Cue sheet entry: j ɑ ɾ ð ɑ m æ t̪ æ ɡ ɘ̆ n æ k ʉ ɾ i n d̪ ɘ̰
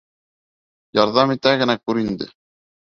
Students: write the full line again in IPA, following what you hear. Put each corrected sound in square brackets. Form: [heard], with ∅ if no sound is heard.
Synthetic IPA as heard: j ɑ ɾ ð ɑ m [i] t̪ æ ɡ ɘ̆ n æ k ʉ ɾ i n d̪ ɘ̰